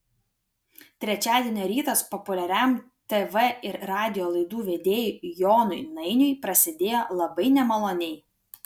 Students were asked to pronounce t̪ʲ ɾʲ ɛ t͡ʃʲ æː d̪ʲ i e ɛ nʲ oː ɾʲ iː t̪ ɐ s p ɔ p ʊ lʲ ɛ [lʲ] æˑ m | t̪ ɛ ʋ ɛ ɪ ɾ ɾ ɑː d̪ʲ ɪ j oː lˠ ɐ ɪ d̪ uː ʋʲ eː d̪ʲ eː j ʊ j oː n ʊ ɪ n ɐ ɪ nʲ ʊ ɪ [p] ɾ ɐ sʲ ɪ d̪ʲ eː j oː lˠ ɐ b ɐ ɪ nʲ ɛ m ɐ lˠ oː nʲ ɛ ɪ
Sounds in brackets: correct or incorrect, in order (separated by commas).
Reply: incorrect, correct